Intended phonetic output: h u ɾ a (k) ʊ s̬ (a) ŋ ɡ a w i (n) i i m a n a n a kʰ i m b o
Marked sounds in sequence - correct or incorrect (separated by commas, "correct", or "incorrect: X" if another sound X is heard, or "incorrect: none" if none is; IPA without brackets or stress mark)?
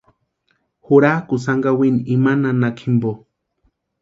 correct, correct, correct